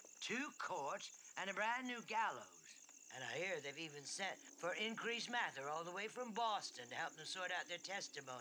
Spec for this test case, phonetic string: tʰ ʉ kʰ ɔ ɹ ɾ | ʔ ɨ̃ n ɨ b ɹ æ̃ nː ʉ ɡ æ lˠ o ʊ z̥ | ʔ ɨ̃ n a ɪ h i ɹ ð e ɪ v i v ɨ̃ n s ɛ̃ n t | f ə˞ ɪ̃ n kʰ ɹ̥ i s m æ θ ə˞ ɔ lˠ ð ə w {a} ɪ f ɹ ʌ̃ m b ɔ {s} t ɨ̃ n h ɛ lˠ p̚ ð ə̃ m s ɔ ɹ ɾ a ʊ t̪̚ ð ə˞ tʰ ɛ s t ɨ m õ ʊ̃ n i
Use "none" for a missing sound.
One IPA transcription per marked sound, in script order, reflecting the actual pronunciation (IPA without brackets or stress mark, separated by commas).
e, s